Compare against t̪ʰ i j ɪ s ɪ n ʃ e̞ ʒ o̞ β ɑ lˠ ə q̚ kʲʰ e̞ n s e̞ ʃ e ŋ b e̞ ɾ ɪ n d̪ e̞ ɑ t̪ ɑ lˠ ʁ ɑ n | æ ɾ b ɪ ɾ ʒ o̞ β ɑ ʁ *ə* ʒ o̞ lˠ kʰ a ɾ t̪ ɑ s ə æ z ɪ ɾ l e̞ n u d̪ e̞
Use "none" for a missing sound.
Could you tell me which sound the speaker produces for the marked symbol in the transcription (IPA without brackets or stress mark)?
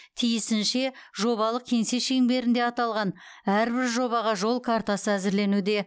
ɑ